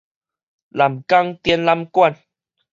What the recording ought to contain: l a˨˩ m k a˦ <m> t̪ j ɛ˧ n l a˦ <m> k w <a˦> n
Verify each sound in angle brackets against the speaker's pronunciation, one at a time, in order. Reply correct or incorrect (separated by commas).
incorrect, correct, incorrect